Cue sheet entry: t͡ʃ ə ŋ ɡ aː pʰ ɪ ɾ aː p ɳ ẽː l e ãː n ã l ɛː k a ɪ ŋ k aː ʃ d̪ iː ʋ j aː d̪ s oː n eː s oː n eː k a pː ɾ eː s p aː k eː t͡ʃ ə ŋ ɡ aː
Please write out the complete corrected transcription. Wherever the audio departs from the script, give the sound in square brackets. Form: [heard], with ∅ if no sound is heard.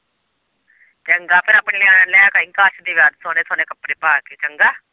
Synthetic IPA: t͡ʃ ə ŋ ɡ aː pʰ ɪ ɾ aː p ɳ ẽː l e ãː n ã l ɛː k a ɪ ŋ k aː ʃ d̪ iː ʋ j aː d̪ s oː n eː s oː n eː k [ə] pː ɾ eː [∅] p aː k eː t͡ʃ ə ŋ ɡ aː

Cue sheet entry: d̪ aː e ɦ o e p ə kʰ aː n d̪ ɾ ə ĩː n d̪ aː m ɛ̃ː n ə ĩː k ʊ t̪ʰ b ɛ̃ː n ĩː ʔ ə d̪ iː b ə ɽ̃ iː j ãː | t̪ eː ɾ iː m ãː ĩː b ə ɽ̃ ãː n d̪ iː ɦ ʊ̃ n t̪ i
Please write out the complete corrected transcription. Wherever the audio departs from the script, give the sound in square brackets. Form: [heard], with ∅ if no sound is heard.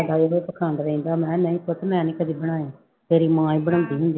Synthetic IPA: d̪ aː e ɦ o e p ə kʰ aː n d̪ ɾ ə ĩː n d̪ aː m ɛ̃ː n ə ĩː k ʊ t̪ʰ [m] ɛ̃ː n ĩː [k] ə d̪ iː b ə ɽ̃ [aː] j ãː | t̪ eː ɾ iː m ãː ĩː b ə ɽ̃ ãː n d̪ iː ɦ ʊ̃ n [d̪] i

